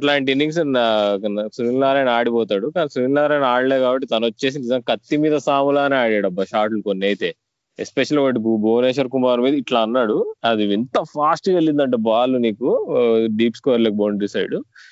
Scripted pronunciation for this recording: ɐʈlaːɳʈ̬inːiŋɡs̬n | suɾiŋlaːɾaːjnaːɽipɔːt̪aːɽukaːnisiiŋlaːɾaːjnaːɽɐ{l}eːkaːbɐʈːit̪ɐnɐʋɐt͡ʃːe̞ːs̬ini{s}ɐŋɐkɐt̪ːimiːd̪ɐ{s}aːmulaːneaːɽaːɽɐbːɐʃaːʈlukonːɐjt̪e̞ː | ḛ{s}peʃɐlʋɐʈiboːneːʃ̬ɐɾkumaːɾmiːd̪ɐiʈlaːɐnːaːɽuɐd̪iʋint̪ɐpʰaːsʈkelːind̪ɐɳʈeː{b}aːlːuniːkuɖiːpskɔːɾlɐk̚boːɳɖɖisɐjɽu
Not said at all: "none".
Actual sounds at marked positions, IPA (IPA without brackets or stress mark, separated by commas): l, z, s, s, b